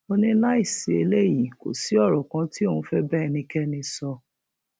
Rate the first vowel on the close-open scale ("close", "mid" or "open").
mid